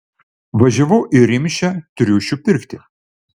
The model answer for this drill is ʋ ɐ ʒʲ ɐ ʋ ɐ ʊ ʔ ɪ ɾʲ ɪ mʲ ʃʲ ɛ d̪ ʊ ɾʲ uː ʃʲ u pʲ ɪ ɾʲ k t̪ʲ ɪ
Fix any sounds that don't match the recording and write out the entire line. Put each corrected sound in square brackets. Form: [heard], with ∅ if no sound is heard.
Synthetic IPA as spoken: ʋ ɐ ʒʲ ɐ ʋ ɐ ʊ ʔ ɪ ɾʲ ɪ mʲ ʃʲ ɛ [t̪] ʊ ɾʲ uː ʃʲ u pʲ ɪ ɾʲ k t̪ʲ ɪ